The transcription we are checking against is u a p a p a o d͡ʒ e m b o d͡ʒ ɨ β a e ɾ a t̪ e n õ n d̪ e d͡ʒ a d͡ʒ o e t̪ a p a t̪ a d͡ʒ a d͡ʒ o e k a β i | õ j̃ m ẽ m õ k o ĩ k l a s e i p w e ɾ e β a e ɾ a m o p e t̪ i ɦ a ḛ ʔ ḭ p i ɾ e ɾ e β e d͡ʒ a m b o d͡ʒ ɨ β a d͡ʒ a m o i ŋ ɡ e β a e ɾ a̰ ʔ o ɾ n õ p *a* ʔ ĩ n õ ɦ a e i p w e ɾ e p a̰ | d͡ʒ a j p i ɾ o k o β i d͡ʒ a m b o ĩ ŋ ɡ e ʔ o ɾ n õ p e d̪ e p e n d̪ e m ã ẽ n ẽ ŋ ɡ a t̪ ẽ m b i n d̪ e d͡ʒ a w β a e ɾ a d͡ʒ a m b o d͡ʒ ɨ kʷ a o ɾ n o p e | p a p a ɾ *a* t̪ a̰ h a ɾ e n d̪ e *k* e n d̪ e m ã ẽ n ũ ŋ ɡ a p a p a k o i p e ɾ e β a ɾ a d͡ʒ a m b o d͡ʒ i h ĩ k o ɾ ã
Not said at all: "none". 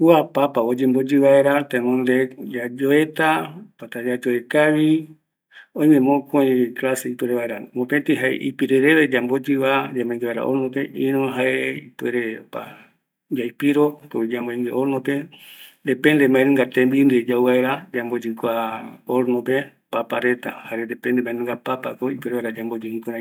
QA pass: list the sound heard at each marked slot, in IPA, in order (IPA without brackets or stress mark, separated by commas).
e, e, p